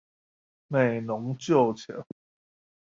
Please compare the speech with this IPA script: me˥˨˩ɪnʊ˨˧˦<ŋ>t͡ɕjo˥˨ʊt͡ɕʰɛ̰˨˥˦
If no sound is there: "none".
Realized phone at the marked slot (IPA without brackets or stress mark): ŋ